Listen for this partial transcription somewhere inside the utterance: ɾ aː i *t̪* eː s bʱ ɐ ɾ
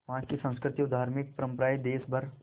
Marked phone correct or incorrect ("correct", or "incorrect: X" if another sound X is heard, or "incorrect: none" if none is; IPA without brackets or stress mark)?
incorrect: d̪